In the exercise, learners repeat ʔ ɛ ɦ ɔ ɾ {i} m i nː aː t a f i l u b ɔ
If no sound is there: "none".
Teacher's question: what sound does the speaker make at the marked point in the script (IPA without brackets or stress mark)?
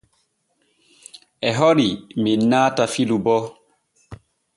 i